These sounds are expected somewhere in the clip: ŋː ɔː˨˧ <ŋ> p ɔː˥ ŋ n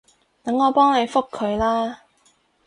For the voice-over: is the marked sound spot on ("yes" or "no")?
no